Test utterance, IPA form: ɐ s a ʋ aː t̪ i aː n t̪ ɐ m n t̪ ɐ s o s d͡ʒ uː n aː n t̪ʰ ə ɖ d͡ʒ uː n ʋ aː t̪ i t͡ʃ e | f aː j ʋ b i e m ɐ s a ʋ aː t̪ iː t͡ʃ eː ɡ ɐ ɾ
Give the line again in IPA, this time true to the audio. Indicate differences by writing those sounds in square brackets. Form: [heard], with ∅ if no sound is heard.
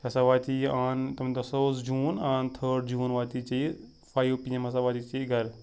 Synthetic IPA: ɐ s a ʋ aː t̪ i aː n t̪ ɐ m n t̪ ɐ s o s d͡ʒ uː n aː n t̪ʰ ə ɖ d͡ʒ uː n ʋ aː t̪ i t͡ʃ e | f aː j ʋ [p] i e m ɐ s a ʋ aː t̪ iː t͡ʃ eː ɡ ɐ ɾ